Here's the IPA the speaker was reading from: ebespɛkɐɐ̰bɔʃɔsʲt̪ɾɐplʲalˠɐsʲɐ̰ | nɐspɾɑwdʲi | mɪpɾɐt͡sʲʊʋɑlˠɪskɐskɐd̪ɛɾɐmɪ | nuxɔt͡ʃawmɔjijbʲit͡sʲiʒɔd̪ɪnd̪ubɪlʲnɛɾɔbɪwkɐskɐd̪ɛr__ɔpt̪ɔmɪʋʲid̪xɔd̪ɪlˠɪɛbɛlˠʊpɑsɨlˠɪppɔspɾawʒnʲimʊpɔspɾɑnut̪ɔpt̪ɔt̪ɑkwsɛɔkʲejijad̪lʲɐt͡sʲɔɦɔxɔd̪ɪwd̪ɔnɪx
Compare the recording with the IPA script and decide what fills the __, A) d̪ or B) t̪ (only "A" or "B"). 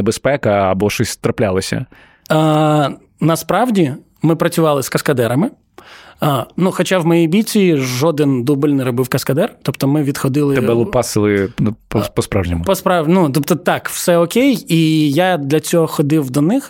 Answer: B